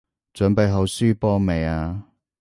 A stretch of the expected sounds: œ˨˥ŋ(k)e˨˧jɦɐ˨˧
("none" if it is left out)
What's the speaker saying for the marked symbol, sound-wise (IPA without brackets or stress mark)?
p